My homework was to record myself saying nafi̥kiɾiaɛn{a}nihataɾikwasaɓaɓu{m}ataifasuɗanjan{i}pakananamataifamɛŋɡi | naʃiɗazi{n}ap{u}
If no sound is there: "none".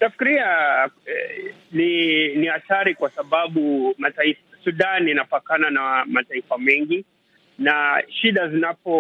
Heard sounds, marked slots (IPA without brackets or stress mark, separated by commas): i, m, a, n, ɔ